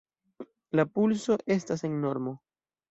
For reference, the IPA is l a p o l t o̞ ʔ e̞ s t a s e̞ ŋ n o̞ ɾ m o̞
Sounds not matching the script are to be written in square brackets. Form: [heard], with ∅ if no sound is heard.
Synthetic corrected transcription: l a p [u] l [s] o̞ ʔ e̞ s t a s e̞ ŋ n o̞ ɾ m o̞